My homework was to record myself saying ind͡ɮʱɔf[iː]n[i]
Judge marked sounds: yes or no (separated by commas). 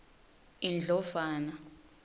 no, no